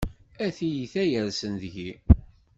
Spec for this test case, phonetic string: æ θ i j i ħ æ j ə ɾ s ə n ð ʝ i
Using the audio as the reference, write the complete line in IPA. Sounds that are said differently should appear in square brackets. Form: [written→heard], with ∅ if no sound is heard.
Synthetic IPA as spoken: æ θ i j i [ħ→θ] æ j ə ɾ s ə n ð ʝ i